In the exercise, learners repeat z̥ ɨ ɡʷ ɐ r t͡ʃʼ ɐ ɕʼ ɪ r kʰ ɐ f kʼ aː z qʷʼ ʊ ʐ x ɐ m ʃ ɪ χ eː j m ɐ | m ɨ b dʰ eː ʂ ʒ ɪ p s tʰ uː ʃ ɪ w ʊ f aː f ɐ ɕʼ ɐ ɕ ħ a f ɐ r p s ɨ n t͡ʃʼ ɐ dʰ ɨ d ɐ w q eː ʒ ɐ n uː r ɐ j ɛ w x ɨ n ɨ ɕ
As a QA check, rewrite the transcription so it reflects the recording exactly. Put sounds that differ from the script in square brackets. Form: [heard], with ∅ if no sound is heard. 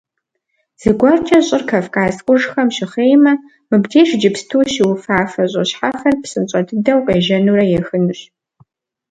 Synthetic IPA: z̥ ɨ ɡʷ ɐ r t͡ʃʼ ɐ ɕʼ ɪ r kʰ ɐ f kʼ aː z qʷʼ ʊ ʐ x ɐ m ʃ ɪ χ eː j m ɐ | m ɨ b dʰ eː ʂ [d͡ʒ] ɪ p s tʰ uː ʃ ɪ w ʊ f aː f ɐ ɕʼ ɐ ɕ ħ a f ɐ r p s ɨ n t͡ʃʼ ɐ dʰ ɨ d ɐ w q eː ʒ ɐ n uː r ɐ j ɛ [∅] x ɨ n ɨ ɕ

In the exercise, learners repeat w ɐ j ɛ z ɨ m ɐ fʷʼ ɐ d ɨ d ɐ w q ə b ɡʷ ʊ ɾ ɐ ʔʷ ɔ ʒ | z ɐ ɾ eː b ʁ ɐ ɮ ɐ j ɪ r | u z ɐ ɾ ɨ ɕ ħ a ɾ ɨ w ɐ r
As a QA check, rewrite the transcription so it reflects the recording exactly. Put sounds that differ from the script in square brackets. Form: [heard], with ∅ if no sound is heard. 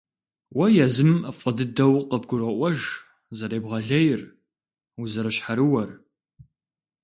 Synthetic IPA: w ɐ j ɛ z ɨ m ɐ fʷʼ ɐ d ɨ d ɐ w q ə b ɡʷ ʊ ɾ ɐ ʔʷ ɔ ʒ | z ɐ ɾ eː b ʁ ɐ ɮ ɐ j ɪ r | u z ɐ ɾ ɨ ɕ ħ a ɾ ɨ w ɐ r

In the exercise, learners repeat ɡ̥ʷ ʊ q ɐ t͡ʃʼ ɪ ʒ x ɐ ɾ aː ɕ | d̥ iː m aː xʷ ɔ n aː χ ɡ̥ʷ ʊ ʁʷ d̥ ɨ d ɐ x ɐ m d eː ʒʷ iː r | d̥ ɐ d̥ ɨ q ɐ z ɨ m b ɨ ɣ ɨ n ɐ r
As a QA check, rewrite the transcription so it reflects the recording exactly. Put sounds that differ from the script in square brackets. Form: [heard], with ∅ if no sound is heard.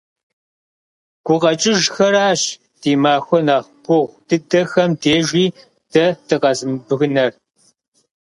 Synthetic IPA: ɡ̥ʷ ʊ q ɐ t͡ʃʼ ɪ ʒ x ɐ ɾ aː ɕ | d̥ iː m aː xʷ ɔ n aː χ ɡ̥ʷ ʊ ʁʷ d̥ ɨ d ɐ x ɐ m d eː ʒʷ iː [∅] | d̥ ɐ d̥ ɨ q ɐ z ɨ m b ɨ ɣ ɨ n ɐ r

